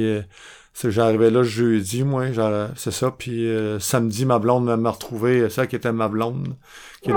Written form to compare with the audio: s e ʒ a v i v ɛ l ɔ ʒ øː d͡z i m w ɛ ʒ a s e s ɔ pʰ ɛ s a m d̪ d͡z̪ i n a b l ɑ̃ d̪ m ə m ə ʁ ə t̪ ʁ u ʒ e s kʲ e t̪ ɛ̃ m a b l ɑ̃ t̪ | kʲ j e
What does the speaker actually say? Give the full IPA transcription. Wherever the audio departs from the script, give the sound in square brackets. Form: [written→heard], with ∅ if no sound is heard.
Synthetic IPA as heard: s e ʒ a [v→ʁ] i v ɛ l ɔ ʒ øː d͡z i m w ɛ ʒ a s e s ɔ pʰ [ɛ→i] s a m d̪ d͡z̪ i [n→m] a b l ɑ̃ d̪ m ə m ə ʁ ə t̪ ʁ u [ʒ→v] e s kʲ e t̪ [ɛ̃→ɛ] m a b l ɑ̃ [t̪→d̪] | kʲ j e